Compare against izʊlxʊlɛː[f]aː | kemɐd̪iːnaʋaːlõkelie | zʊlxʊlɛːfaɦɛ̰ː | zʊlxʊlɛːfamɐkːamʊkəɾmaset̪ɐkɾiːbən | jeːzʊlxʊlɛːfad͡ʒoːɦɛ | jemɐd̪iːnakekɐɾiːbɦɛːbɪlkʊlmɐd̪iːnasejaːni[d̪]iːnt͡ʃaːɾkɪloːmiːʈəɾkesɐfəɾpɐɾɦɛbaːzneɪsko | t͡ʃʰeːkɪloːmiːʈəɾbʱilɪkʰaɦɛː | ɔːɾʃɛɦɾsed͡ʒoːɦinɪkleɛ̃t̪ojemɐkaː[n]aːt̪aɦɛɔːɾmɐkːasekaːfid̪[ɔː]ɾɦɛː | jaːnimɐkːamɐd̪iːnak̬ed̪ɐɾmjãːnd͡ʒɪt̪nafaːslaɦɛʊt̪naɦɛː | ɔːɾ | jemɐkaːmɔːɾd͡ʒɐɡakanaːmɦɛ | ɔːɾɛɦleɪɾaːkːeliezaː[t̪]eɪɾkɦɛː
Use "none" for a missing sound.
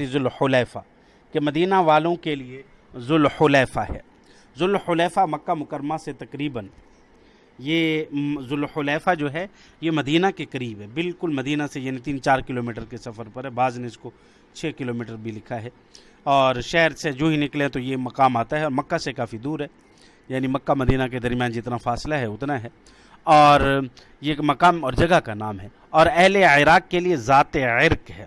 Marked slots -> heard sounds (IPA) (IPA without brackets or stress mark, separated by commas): f, t̪, m, uː, t̪